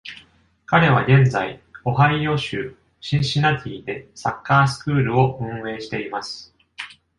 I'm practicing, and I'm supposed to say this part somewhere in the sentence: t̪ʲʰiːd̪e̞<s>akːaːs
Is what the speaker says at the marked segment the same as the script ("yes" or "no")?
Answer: yes